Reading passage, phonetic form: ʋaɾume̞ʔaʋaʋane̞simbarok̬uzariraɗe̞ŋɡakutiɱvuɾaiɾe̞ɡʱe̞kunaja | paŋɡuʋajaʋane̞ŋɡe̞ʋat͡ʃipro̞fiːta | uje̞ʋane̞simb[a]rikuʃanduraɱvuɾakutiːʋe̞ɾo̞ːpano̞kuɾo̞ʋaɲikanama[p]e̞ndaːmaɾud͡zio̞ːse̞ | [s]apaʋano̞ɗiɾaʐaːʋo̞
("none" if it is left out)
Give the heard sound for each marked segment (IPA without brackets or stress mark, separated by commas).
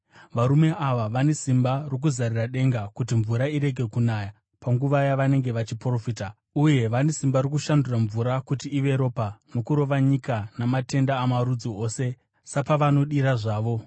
a, t, s